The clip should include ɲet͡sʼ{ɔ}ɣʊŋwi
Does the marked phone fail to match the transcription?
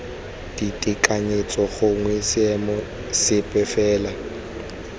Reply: no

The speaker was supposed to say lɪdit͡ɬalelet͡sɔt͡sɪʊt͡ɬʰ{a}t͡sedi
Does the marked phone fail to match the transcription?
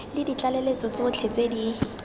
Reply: yes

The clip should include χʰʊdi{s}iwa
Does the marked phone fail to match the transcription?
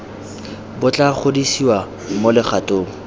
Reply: no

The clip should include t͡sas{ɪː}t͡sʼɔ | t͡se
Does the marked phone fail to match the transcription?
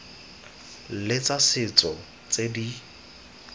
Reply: yes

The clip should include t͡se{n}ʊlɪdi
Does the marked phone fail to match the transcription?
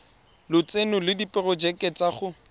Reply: no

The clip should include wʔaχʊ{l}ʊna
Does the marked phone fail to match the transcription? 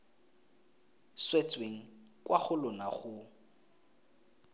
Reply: no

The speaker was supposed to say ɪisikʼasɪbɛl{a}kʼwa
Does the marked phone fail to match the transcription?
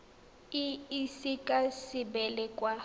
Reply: yes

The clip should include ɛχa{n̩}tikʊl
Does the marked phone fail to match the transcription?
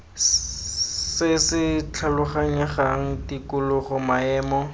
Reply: yes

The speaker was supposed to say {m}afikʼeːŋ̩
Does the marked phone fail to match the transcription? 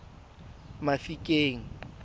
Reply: no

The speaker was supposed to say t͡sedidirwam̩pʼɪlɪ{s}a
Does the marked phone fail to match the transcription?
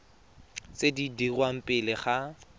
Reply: yes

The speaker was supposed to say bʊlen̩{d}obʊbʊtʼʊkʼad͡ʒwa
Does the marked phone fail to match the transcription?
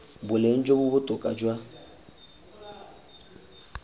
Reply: yes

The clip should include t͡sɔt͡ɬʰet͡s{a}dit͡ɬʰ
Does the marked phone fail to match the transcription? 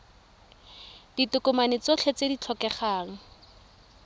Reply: yes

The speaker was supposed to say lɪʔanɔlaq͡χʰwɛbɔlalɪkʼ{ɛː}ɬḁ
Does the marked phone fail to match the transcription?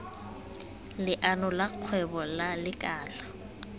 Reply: yes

